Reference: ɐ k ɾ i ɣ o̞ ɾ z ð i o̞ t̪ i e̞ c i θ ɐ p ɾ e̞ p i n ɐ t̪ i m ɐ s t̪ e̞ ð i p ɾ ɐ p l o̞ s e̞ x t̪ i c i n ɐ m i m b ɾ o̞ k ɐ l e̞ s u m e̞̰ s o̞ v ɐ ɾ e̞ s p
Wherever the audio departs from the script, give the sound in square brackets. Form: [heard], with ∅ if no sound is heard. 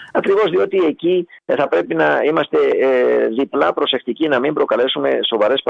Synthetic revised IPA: ɐ k ɾ i [v] o̞ [∅] z ð i o̞ t̪ i e̞ c i θ ɐ p ɾ e̞ p i n ɐ [∅] i m ɐ s t̪ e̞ ð i p [l] ɐ p [ɾ] o̞ s e̞ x t̪ i c i n ɐ m i m b ɾ o̞ k ɐ l e̞ s u m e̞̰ s o̞ v ɐ ɾ e̞ s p